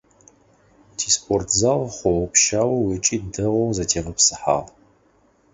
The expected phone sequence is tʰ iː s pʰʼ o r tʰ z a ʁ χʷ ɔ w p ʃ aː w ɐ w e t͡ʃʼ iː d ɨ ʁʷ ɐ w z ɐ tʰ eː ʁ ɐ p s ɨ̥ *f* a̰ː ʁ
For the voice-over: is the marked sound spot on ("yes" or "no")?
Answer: no